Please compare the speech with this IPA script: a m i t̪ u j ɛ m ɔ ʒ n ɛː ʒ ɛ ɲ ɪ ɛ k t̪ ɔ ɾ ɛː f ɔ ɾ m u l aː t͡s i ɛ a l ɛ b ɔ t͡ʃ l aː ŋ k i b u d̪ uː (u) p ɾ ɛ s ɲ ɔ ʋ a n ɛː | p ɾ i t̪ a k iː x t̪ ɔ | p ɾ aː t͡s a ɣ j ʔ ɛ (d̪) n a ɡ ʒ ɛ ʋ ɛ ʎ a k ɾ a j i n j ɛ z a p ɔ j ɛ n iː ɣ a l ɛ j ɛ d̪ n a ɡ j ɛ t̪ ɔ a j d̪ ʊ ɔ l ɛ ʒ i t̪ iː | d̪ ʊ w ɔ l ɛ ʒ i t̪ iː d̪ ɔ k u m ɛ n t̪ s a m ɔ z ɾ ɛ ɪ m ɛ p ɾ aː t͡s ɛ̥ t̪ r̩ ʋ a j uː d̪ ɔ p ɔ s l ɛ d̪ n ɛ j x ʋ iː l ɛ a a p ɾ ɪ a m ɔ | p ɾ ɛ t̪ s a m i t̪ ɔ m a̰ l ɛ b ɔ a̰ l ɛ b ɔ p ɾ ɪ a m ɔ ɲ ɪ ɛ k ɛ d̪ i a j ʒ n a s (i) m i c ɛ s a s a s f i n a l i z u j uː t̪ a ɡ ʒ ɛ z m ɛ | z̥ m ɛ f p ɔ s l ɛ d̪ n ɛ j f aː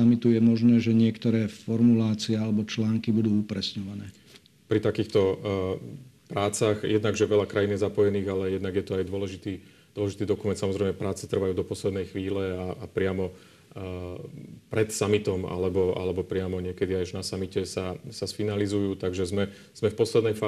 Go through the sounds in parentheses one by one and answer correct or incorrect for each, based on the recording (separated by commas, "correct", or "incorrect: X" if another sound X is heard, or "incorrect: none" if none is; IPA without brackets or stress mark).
correct, correct, incorrect: a